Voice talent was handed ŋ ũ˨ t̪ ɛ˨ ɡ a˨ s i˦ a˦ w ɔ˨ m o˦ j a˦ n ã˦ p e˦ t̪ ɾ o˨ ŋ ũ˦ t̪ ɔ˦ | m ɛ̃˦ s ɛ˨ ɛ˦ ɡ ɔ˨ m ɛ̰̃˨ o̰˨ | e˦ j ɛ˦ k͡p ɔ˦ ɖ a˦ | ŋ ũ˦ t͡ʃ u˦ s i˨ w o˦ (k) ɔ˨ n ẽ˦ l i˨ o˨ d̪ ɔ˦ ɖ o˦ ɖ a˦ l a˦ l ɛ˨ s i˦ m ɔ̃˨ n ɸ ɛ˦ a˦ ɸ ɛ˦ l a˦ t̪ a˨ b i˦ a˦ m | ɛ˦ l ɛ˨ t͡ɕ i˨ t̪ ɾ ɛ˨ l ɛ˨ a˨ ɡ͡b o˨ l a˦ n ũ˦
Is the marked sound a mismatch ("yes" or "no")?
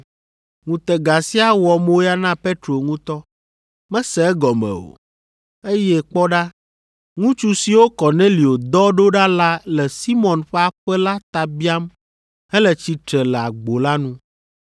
no